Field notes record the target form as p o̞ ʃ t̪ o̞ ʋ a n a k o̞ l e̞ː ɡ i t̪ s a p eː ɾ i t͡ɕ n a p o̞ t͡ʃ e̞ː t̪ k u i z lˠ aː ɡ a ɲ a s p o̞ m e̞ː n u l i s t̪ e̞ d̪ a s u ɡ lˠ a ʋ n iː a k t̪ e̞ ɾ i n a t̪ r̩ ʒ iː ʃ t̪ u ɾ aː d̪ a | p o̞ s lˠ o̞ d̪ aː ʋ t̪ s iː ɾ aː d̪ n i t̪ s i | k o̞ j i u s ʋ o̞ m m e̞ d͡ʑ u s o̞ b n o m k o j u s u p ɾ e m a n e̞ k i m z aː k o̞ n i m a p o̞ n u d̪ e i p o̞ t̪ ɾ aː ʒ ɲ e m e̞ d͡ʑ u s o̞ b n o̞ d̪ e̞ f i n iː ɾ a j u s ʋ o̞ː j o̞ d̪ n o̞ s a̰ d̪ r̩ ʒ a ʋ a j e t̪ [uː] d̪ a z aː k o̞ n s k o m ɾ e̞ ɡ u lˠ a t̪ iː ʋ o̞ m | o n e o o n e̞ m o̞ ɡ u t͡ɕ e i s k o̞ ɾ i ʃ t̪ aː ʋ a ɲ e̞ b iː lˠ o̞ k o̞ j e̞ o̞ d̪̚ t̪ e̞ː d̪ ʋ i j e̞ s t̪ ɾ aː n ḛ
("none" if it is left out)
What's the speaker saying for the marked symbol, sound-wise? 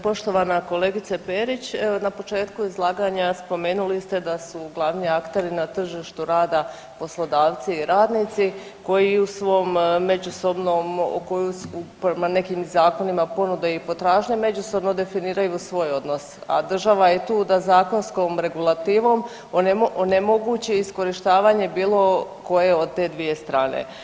uː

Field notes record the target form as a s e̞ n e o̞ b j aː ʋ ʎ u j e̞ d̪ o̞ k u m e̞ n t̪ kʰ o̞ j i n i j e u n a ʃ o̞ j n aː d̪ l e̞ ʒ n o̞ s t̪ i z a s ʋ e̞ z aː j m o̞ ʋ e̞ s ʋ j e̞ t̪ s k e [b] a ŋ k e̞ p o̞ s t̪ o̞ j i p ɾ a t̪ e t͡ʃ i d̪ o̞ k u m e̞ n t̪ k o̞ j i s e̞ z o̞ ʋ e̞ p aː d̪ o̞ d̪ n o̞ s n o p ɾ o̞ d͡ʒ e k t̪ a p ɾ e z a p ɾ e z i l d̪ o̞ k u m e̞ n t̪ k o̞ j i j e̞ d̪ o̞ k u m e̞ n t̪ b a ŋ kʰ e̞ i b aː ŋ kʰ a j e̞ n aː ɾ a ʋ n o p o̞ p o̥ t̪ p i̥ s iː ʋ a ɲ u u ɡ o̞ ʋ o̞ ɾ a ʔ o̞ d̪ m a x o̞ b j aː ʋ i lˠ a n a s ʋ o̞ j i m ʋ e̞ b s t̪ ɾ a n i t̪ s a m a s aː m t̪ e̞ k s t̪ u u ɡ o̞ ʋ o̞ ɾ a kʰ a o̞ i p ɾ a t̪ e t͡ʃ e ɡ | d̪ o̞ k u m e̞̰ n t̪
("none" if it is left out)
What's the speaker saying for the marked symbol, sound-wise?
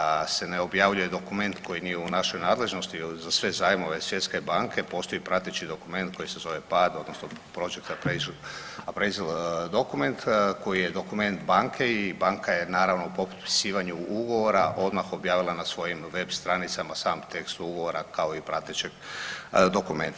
b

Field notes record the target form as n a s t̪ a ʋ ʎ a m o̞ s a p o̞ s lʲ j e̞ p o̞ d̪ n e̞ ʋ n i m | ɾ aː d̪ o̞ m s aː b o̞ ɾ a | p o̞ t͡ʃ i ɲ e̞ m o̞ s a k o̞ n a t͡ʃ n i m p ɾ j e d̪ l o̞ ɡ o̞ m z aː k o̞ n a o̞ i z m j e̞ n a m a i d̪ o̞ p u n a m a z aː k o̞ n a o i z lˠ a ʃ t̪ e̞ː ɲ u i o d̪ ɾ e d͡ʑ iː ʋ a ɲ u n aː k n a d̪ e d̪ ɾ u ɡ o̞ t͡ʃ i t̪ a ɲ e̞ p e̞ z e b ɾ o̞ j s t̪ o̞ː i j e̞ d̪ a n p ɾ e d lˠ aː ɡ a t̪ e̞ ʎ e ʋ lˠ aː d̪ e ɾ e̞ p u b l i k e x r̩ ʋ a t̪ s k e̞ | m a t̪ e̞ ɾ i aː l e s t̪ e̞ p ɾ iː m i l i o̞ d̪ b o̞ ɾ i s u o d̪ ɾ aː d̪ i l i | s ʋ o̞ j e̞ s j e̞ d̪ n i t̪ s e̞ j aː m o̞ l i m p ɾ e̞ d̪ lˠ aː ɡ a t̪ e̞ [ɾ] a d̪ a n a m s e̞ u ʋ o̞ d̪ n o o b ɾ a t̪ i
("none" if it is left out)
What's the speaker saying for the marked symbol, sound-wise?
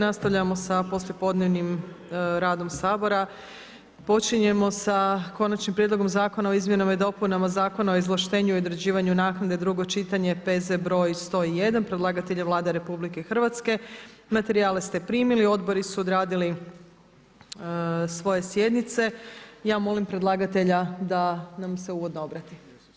ʎ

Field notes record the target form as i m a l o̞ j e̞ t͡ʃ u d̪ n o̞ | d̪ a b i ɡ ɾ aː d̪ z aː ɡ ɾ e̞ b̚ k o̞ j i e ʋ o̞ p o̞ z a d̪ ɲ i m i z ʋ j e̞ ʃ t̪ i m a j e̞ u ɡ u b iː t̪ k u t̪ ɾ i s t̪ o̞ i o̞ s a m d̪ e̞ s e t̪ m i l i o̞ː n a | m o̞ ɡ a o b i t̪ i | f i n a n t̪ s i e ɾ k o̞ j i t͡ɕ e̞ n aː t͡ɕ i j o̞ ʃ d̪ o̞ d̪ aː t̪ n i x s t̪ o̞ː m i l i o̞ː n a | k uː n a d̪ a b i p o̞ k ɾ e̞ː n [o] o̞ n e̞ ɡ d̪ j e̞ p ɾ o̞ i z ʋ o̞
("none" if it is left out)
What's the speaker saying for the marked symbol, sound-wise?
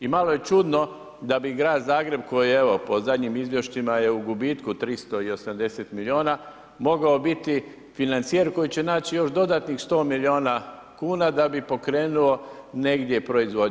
u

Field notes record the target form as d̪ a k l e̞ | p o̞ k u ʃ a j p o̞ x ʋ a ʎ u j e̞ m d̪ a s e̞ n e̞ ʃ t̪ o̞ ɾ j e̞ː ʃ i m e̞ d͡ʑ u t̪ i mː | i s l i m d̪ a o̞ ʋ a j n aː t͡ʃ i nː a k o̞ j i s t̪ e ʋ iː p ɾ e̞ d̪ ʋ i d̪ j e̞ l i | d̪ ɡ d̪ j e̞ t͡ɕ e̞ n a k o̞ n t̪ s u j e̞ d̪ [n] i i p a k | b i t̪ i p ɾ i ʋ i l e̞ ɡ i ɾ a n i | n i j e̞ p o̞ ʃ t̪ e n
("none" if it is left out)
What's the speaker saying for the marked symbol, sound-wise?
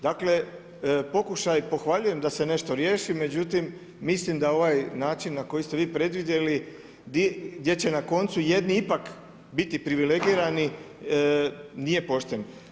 n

